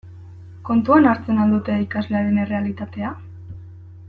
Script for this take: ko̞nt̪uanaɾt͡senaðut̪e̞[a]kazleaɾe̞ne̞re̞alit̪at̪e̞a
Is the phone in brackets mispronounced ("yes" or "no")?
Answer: yes